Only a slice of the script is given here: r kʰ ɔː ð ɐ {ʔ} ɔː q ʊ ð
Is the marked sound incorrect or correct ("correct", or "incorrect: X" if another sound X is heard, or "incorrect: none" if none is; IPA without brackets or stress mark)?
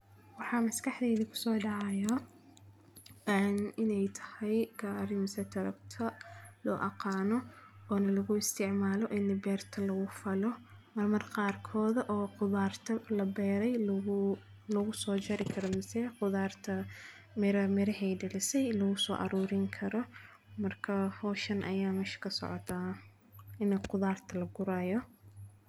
correct